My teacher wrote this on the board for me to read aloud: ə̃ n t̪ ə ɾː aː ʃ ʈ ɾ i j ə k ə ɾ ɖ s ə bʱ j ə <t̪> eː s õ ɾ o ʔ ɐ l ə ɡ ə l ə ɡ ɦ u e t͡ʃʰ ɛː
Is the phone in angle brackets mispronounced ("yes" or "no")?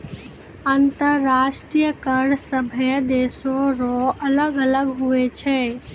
yes